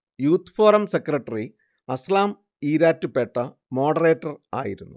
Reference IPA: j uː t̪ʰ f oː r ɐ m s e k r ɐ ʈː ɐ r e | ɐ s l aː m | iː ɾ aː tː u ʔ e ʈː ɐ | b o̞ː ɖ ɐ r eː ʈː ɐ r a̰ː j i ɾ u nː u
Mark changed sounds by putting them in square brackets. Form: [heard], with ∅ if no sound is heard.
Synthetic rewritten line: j uː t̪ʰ f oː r ɐ m s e k r ɐ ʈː ɐ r [i] | ɐ s l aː m | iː ɾ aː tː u [p] e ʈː ɐ | [m] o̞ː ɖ ɐ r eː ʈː ɐ r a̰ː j i ɾ u nː u